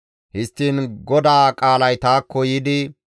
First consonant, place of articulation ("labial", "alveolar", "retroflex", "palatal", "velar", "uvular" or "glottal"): glottal